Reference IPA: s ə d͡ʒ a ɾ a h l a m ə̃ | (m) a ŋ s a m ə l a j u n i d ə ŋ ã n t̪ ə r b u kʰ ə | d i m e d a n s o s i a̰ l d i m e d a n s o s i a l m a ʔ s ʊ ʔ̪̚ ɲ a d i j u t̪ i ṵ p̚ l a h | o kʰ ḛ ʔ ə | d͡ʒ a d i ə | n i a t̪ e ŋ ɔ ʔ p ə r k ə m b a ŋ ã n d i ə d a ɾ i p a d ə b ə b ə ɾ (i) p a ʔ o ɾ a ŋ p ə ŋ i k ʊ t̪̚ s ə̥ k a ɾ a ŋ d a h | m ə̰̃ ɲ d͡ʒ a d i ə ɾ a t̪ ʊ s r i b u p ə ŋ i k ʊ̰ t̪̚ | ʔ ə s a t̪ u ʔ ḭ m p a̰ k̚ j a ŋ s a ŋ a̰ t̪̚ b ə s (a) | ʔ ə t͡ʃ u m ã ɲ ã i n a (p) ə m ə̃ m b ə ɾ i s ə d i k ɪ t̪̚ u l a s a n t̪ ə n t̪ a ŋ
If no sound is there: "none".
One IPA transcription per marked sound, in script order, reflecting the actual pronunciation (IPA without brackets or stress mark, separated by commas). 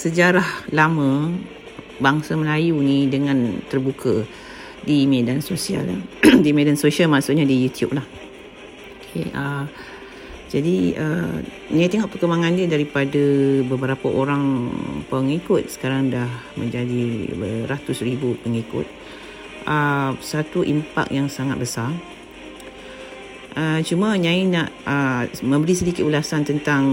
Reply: b, a, a, ʔ